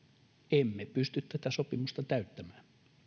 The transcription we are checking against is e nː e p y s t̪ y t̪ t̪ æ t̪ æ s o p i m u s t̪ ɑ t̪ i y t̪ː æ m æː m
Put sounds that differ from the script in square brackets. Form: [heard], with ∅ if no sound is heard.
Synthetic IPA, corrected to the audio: e [mː] e p y s t̪ y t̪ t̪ æ t̪ æ s o p i m u s t̪ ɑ t̪ [æ] y t̪ː æ m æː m